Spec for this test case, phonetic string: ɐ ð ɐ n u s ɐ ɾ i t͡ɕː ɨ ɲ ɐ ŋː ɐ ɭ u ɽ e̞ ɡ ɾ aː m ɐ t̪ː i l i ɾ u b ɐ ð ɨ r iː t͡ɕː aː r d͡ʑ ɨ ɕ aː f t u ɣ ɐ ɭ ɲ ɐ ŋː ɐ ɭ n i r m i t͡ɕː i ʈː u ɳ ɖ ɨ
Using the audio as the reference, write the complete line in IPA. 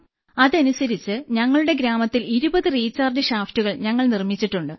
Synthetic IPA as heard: ɐ ð ɐ n u s ɐ ɾ i t͡ɕː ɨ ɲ ɐ ŋː ɐ ɭ u ɽ e̞ ɡ ɾ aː m ɐ t̪ː i l i ɾ u b ɐ ð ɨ r iː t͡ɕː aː r d͡ʑ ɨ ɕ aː f t u ɣ ɐ ɭ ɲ ɐ ŋː ɐ ɭ n i r m i t͡ɕː i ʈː u ɳ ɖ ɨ

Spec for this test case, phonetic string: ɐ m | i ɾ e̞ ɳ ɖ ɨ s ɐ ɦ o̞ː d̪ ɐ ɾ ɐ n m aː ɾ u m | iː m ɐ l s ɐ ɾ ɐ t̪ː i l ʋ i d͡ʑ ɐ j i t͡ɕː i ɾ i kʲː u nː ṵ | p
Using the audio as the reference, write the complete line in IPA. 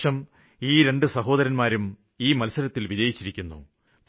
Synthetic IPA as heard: ɐ m | iː ɾ e̞ ɳ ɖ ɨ s ɐ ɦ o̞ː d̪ ɐ ɾ ɐ n m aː ɾ u m | iː m ɐ l s ɐ ɾ ɐ t̪ː i l ʋ i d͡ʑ ɐ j i t͡ɕː i ɾ i kʲː u nː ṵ | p

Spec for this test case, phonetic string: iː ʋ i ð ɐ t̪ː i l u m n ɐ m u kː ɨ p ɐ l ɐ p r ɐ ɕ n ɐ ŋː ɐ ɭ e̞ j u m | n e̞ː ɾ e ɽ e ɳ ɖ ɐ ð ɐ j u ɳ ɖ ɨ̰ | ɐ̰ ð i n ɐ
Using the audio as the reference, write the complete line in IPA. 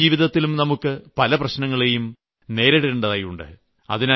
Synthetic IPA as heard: iː ʋ i ð ɐ t̪ː i l u m n ɐ m u kː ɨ p ɐ l ɐ p r ɐ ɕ n ɐ ŋː ɐ ɭ e̞ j u m | n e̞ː ɾ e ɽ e ɳ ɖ ɐ ð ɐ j u ɳ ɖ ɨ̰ | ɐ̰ ð i n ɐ

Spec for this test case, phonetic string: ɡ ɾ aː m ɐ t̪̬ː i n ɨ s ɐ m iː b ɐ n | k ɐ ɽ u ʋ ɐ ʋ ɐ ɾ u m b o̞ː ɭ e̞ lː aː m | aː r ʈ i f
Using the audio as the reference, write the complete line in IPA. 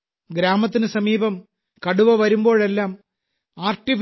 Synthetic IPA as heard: ɡ ɾ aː m ɐ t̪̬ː i n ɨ s ɐ m iː b ɐ m | k ɐ ɽ u ʋ ɐ ʋ ɐ ɾ u m b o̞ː ɭ e̞ lː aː m | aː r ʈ i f

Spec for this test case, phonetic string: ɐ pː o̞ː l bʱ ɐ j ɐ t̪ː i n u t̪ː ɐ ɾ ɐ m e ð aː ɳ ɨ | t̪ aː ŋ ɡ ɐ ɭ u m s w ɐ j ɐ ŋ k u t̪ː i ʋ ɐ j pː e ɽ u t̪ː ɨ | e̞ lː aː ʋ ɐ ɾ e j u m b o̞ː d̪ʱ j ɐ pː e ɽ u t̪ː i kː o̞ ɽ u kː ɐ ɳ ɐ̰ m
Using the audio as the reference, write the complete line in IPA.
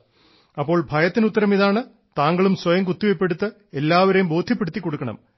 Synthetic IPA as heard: ɐ pː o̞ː ɭ bʱ ɐ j ɐ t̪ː i n u t̪ː ɐ ɾ ɐ m i ð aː ɳ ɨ | t̪ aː ŋ ɡ ɐ ɭ u m s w ɐ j ɐ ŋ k u t̪ː i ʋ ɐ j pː e ɽ u t̪ː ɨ | e̞ lː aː ʋ ɐ ɾ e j u m b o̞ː d̪ʱ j ɐ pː e ɽ u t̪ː i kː o̞ ɽ u kː ɐ ɳ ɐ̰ m

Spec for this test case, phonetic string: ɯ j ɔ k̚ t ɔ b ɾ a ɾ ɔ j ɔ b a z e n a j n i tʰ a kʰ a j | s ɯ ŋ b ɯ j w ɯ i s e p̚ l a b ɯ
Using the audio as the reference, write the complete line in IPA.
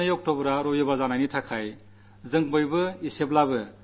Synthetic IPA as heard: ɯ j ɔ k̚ t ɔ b ɾ a ɾ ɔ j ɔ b a z a n a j n i tʰ a kʰ a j | z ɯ ŋ b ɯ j b ɯ i s e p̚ l a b ɯ

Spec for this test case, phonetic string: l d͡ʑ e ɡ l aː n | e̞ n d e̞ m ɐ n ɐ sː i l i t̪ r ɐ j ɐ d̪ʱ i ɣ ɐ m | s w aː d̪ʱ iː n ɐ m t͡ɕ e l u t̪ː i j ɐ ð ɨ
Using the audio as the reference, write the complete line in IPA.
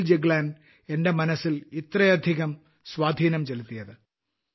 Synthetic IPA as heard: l d͡ʑ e ɡ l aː n | e̞ n d e̞ m ɐ n ɐ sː i l i t̪ r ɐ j ɐ d̪ʱ i ɣ ɐ m | s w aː d̪ʱ iː n ɐ m t͡ɕ e l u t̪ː i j ɐ ð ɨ

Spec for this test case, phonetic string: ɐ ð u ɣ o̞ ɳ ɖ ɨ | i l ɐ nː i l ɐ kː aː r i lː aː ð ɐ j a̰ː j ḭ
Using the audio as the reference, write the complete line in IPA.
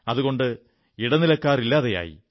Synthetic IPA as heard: ɐ ð u ɣ o̞ ɳ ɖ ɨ | i ɽ ɐ n i l ɐ kː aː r i lː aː ð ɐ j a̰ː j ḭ

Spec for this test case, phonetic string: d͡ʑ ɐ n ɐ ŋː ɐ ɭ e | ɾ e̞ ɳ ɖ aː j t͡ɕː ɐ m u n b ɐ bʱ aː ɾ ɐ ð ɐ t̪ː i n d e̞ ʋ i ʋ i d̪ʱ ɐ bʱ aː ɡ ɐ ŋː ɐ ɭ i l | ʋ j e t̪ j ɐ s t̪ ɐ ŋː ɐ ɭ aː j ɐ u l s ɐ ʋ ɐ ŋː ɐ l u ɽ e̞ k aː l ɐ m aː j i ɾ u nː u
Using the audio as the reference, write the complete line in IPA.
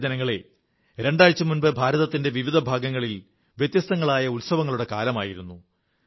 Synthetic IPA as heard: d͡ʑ ɐ n ɐ ŋː ɐ ɭ e | ɾ e̞ ɳ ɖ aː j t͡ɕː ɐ m u n b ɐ bʱ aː ɾ ɐ ð ɐ t̪ː i n d e̞ ʋ i ʋ i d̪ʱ ɐ bʱ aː ɡ ɐ ŋː ɐ ɭ i l | ʋ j e t̪ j ɐ s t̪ ɐ ŋː ɐ ɭ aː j ɐ u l s ɐ ʋ ɐ ŋː ɐ ɭ u ɽ e̞ k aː l ɐ m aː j i ɾ u nː u

